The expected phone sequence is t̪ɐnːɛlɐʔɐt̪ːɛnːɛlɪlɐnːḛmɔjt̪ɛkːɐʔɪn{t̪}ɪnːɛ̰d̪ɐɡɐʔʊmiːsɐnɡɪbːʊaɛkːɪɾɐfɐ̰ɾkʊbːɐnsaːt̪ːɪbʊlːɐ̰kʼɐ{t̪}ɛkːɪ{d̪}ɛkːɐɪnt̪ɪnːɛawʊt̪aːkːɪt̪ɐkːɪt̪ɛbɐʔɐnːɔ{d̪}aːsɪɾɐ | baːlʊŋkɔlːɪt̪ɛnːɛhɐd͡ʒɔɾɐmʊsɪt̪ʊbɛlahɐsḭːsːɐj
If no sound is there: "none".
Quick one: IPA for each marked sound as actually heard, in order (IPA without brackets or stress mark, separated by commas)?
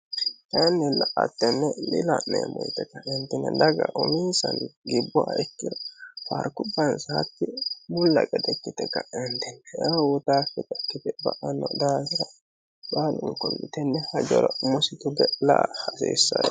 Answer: t̪, d̪, t̪, d̪